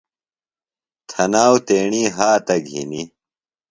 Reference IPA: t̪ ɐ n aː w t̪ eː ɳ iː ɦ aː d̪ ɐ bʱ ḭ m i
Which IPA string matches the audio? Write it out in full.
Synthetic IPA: t̪ʰ ɐ n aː w t̪ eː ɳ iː ɦ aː t̪ ɐ ɡʱ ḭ n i